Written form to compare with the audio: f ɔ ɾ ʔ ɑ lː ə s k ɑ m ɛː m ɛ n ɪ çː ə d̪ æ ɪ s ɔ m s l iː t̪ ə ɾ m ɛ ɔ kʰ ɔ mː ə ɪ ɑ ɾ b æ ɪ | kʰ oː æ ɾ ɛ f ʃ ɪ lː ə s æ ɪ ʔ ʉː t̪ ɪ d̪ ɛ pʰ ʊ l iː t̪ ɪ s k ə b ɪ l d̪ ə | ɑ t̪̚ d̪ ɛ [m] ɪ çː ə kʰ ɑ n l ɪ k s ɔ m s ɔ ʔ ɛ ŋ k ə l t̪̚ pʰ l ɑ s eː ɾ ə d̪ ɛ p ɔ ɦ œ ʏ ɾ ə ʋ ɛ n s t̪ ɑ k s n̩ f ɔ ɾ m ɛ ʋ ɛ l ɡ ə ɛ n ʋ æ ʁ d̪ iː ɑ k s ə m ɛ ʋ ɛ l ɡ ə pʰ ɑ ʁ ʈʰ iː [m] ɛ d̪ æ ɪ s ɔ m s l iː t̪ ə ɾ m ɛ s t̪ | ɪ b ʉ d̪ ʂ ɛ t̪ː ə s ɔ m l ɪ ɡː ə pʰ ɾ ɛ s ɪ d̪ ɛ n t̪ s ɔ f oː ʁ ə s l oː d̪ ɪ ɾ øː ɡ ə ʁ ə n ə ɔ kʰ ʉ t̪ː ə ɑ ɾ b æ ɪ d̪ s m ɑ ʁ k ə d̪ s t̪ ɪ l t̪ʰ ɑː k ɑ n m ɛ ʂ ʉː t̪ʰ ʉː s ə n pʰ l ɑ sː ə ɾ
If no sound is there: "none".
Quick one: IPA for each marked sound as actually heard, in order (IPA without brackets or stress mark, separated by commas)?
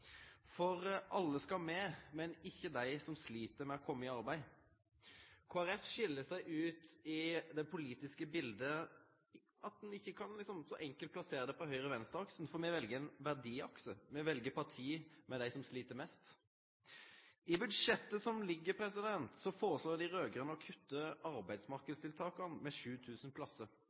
n, m